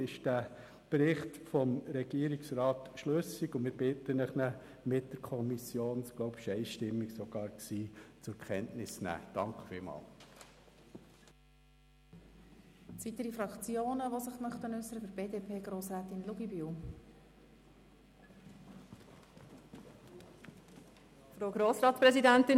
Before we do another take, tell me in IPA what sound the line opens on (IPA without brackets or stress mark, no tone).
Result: ɪ